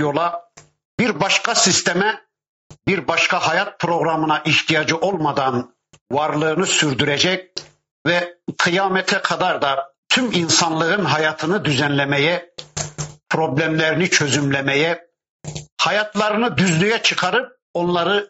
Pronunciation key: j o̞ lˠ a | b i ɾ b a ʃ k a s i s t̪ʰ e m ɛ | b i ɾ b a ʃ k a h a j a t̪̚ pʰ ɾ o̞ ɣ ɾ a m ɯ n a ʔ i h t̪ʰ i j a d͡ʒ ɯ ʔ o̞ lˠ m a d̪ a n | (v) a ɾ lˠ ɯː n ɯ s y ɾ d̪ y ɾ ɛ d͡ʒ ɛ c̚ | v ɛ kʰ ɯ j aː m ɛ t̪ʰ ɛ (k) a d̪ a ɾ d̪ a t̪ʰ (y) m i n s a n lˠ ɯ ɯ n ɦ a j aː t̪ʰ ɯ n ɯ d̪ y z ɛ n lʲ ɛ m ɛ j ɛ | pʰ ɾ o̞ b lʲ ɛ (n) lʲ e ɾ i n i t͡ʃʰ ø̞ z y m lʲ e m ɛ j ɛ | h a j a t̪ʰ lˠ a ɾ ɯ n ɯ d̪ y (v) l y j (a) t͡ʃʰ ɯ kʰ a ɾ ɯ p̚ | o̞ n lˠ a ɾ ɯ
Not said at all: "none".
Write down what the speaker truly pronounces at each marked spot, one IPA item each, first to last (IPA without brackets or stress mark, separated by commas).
v, kʰ, y, m, z, ɛ